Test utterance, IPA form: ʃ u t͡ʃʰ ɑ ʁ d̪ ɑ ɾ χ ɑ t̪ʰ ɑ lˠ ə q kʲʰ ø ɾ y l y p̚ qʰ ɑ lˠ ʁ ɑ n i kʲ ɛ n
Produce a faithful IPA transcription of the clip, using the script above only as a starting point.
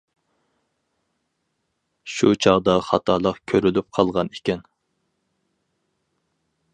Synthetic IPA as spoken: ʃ u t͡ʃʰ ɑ ʁ d̪ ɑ χ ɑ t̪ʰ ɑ lˠ ə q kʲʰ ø ɾ y l y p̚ qʰ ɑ lˠ ʁ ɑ n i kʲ ɛ n